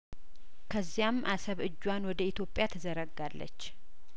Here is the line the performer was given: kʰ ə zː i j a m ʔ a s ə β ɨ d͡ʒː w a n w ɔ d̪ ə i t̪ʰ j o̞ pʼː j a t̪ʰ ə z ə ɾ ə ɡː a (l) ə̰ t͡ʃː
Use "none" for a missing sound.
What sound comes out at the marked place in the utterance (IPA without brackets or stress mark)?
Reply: lː